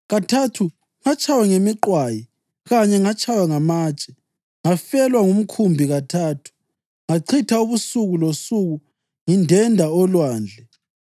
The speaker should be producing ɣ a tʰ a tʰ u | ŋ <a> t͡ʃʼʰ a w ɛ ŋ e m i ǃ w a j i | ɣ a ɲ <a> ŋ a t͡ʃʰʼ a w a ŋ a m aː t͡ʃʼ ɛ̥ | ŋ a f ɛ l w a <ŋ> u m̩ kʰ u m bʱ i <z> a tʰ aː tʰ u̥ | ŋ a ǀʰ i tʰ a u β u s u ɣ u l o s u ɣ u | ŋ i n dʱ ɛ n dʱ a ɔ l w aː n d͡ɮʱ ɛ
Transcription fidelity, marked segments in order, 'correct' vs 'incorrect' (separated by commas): correct, incorrect, correct, incorrect